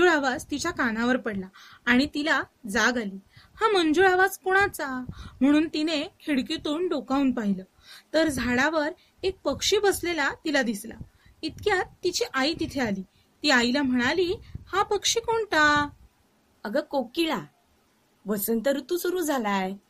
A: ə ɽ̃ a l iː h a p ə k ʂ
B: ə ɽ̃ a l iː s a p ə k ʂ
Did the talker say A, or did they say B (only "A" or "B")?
A